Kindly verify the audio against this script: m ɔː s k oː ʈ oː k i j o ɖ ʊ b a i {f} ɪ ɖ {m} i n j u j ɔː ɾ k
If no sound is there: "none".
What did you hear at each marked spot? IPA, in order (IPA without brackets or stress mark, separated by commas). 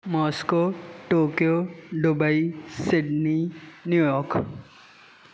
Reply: s, n